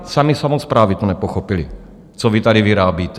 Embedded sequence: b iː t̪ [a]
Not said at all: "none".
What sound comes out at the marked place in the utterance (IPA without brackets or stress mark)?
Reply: ɛ